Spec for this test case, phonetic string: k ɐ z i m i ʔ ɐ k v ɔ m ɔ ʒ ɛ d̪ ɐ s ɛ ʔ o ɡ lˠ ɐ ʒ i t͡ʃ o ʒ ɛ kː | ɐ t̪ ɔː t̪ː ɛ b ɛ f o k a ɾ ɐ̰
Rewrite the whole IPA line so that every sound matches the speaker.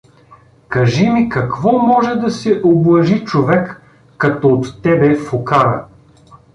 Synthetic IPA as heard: k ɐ ʒ i m i k ɐ k v ɔ m ɔ ʒ ɛ d̪ ɐ s ɛ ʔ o b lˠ ɐ ʒ i t͡ʃ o v ɛ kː | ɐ t̪ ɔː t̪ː ɛ b ɛ f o k a ɾ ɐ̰